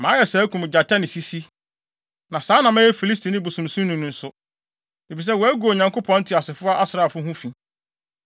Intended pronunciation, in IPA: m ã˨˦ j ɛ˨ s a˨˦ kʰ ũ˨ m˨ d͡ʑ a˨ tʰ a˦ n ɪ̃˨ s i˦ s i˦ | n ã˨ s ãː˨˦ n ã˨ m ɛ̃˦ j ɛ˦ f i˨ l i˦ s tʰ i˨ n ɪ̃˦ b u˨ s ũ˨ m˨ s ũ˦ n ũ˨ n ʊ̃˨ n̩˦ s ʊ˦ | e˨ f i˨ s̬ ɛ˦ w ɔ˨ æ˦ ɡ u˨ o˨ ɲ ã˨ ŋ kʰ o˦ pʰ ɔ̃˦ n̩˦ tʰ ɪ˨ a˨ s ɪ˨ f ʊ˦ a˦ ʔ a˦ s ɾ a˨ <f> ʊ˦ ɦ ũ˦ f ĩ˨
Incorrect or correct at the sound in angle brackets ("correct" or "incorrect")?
correct